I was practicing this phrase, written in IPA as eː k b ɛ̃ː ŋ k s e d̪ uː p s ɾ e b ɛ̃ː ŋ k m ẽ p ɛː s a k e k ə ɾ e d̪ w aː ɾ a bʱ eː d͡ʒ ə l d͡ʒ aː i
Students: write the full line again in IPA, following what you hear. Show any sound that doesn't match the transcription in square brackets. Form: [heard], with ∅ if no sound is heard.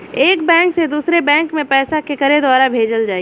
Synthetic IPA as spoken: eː k b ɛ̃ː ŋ k s e d̪ uː [∅] s ɾ e b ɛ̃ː ŋ k m ẽ p ɛː s a k e k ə ɾ e d̪ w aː ɾ a bʱ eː d͡ʒ ə l d͡ʒ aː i